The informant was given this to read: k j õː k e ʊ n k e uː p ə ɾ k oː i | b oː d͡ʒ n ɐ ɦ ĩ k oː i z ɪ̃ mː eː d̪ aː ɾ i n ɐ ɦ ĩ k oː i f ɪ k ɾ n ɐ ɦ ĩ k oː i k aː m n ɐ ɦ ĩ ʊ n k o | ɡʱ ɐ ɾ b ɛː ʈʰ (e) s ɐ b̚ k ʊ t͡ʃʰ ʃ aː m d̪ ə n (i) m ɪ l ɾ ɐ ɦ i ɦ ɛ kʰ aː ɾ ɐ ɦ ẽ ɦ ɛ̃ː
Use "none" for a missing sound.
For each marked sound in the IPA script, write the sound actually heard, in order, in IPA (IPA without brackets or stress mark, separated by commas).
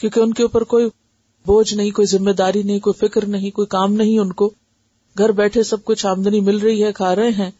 e, i